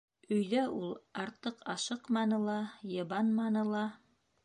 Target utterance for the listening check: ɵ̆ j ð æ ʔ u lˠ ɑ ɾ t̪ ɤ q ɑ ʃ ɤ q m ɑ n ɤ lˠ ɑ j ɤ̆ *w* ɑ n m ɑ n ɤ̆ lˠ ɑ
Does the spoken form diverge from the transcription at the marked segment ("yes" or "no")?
yes